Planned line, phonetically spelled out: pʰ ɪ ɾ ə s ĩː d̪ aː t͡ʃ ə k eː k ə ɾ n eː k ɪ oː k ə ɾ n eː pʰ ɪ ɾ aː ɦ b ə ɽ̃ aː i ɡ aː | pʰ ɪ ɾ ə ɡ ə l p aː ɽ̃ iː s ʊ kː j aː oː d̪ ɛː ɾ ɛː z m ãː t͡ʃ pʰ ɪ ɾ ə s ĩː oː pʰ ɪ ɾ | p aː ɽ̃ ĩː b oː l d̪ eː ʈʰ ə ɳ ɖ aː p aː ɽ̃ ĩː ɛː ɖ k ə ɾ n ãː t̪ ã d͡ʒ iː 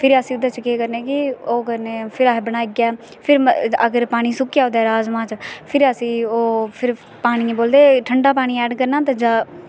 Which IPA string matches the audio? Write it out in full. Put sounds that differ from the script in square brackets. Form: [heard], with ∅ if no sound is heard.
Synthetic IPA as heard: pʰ ɪ ɾ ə s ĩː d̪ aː t͡ʃ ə k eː k ə ɾ n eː k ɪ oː k ə ɾ n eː pʰ ɪ ɾ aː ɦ b ə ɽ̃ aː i ɡ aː | pʰ ɪ ɾ ə ɡ ə [ɾ] p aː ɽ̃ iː s ʊ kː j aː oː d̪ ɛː ɾ [aː] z m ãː t͡ʃ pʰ ɪ ɾ ə s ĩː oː pʰ ɪ ɾ | p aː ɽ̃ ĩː b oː l d̪ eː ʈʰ ə ɳ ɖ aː p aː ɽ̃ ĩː ɛː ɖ k ə ɾ n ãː t̪ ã d͡ʒ [aː]